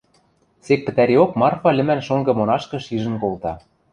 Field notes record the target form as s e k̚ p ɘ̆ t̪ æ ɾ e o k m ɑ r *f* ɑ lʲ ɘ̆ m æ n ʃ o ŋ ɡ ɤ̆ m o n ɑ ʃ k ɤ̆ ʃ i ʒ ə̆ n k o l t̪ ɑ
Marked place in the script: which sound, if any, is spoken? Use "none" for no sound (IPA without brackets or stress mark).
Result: f